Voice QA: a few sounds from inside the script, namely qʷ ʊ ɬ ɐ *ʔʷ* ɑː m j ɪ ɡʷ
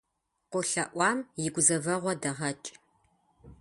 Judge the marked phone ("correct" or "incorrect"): correct